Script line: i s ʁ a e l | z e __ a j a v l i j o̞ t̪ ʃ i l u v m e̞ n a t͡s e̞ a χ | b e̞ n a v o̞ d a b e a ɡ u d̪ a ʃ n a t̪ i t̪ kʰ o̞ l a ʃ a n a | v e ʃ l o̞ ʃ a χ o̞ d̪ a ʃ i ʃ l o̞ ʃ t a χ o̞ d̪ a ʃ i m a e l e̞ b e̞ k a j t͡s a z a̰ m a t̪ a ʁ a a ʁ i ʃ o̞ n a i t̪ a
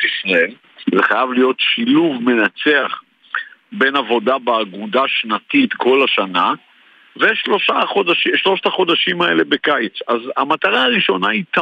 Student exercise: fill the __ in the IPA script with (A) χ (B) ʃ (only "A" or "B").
A